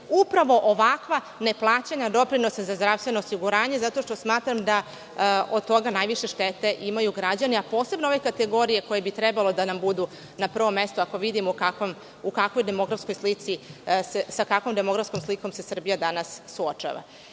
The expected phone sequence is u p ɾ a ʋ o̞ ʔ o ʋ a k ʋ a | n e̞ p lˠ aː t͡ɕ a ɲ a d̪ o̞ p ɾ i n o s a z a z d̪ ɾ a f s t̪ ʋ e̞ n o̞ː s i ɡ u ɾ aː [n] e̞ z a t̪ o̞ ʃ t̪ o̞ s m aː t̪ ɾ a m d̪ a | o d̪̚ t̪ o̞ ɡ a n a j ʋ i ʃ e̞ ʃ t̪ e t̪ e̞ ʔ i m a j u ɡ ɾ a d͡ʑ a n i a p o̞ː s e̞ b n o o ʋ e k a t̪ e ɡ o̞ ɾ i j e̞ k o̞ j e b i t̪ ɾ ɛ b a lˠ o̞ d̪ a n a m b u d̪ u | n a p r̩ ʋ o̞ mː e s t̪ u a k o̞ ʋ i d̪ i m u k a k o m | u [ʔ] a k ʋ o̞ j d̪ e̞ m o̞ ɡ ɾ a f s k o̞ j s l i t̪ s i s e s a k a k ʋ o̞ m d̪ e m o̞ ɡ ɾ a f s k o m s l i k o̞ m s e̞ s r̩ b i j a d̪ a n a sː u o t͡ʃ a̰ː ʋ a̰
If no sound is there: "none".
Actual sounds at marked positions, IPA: ɲ, k

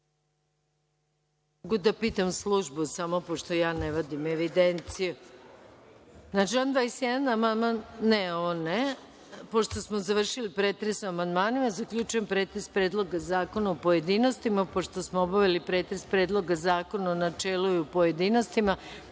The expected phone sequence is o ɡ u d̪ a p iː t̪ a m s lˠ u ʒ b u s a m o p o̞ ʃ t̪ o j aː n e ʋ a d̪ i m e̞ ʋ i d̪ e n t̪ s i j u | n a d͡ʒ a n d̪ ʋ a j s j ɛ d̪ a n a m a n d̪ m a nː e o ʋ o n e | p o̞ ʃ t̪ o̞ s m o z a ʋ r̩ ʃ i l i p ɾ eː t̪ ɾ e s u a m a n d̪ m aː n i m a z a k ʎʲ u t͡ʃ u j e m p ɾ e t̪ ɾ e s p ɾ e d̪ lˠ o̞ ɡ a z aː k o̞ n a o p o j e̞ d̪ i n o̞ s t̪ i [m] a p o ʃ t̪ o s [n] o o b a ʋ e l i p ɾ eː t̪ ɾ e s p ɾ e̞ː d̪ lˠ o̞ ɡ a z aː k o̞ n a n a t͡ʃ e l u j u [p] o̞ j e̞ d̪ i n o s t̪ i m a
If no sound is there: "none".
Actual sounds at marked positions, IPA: m, m, p

